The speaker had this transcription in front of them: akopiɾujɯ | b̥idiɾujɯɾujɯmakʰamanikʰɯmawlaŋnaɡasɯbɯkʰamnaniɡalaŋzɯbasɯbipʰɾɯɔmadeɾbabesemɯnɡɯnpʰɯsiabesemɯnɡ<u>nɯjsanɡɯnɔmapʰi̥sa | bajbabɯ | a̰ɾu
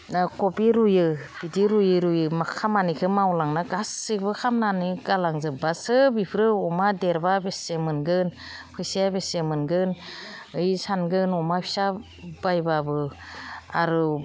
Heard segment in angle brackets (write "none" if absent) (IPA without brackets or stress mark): ɯ